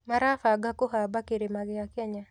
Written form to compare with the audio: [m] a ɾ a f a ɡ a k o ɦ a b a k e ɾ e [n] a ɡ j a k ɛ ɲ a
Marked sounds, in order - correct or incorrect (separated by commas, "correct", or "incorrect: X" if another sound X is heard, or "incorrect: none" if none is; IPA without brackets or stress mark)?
correct, incorrect: m